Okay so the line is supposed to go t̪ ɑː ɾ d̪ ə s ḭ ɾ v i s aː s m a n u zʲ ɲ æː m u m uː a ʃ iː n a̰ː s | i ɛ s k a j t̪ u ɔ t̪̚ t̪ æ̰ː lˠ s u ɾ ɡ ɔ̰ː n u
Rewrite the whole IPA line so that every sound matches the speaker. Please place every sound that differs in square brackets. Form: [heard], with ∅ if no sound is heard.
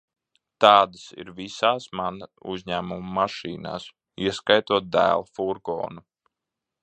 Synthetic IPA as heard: t̪ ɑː [∅] d̪ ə s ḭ ɾ v i s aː s m a n u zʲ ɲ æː m u m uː a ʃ iː n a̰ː s | i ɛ s k a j t̪ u ɔ t̪̚ [d̪] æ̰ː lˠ [f] u ɾ ɡ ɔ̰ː n u